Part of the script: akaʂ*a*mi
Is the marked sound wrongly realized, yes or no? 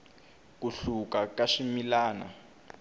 yes